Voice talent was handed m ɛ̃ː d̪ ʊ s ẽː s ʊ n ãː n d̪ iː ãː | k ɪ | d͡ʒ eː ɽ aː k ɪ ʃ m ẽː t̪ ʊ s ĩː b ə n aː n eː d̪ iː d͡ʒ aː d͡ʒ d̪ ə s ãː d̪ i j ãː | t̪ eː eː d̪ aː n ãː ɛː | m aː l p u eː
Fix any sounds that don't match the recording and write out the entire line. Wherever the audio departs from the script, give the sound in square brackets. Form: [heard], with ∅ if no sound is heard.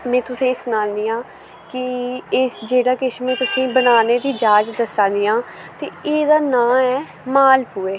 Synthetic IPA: m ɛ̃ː [t̪] ʊ s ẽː s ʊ n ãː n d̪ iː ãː | k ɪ | d͡ʒ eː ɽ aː k ɪ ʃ m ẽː t̪ ʊ s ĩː b ə n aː n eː d̪ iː d͡ʒ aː d͡ʒ d̪ ə s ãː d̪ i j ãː | t̪ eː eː d̪ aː n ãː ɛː | m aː l p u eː